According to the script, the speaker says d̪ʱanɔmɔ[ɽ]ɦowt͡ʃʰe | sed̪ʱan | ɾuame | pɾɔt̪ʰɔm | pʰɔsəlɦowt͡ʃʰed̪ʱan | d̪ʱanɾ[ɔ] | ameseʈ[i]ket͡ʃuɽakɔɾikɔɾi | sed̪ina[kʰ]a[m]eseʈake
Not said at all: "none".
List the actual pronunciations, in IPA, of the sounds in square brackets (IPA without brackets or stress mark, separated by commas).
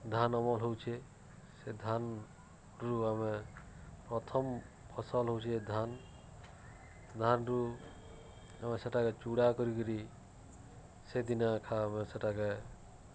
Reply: l, u, a, kʰ, m